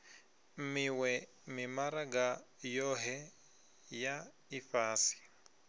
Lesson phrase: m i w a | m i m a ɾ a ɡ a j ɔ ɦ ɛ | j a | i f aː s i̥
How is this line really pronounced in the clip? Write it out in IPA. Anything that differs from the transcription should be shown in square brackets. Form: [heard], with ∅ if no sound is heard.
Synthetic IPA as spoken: m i w [ɛ] | m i m a ɾ a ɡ a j ɔ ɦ ɛ | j a | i f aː s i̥